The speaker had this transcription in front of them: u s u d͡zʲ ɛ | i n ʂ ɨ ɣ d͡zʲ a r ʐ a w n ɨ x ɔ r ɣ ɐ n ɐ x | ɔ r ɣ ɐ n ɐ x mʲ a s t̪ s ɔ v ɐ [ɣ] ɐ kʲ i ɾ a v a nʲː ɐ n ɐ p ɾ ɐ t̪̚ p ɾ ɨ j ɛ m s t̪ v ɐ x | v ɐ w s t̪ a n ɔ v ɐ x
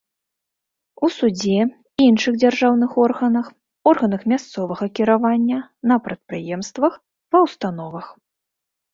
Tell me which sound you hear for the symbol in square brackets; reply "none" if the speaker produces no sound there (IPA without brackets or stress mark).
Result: ɣ